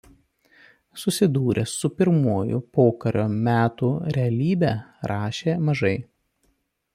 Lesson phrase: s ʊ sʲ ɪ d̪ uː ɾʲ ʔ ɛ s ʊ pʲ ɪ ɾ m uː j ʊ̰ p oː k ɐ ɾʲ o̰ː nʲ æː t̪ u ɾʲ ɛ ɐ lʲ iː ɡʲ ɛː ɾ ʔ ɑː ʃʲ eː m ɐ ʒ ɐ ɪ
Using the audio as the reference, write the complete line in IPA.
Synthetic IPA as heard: s ʊ sʲ ɪ d̪ uː ɾʲ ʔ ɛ s ʊ pʲ ɪ ɾ m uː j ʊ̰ p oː k ɐ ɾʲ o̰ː mʲ æː t̪ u ɾʲ ɛ ɐ lʲ iː bʲ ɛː ɾ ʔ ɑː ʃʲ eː m ɐ ʒ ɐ ɪ